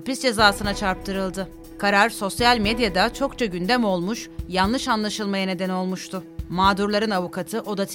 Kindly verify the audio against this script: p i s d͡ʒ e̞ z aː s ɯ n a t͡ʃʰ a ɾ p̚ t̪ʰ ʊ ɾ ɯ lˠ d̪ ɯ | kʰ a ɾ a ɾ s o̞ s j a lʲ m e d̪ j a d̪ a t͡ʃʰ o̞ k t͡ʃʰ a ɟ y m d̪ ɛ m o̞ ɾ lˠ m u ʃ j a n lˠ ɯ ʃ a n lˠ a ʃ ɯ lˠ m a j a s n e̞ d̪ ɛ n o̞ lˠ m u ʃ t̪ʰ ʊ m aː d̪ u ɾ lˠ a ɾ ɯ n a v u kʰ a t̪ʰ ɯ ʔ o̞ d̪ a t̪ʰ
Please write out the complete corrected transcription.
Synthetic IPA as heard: p i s d͡ʒ e̞ z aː s ɯ n a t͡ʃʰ a ɾ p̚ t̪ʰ ɯ ɾ ɯ lˠ d̪ ɯ | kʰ a ɾ a ɾ s o̞ s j a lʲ m e d̪ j a d̪ a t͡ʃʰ o̞ k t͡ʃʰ a ɟ y n d̪ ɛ m o̞ lˠ m u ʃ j a n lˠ ɯ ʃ a n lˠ a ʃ ɯ lˠ m a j a n e̞ d̪ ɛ n o̞ lˠ m u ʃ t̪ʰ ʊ m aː d̪ u ɾ lˠ a ɾ ɯ n a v u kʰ a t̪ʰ ɯ ʔ o̞ d̪ a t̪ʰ